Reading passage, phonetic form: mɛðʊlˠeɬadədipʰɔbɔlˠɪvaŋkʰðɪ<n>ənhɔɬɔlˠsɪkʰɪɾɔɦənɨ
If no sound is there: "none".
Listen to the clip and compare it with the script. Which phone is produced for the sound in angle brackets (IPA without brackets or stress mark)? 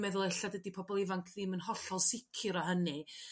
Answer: m